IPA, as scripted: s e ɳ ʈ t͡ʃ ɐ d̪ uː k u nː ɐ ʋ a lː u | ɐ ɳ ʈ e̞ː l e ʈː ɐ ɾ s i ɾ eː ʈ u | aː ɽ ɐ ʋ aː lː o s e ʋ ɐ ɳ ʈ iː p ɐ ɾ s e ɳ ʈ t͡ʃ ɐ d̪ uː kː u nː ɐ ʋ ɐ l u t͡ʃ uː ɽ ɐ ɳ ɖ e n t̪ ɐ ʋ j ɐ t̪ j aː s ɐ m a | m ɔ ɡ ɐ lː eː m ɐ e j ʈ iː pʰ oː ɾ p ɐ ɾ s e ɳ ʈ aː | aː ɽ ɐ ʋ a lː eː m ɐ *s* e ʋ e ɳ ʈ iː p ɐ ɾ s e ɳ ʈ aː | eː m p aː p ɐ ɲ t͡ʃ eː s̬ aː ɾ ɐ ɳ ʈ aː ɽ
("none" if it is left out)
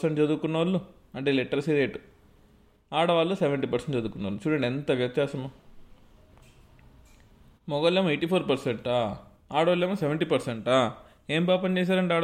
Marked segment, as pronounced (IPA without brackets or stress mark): s